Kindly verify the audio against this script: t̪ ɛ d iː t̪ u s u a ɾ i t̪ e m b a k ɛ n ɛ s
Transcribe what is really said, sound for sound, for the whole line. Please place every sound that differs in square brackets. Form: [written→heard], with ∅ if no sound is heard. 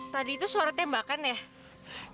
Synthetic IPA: t̪ [ɛ→a] d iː t̪ u s u a ɾ [i→a] t̪ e m b a k [ɛ→a] n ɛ [s→h]